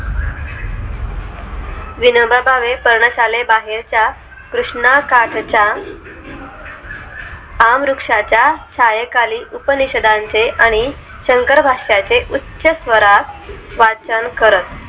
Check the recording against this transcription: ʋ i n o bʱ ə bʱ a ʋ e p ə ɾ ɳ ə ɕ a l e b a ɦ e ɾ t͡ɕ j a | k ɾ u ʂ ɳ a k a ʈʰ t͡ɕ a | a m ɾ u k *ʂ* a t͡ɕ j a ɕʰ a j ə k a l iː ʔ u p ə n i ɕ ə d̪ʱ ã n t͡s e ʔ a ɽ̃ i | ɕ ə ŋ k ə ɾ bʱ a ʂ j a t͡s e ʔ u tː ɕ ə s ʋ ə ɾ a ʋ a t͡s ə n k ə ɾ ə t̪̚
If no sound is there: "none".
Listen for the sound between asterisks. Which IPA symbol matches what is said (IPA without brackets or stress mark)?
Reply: ʂ